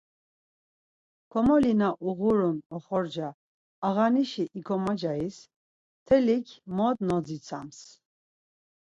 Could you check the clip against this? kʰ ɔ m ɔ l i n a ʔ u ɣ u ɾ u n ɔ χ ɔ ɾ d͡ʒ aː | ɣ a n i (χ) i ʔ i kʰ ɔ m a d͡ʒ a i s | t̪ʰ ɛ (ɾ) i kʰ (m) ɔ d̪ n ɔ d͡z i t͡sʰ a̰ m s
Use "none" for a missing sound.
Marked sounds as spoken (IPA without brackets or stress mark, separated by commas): ʃ, l, m